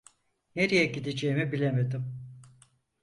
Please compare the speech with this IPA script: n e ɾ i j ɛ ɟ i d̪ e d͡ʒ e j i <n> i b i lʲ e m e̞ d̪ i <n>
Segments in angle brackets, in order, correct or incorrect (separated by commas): incorrect, incorrect